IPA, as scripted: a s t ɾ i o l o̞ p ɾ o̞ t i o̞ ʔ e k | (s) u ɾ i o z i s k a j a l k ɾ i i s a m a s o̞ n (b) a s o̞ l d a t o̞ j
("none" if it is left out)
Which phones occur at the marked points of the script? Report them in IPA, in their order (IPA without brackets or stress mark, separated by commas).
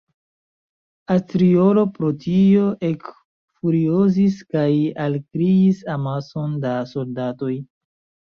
f, d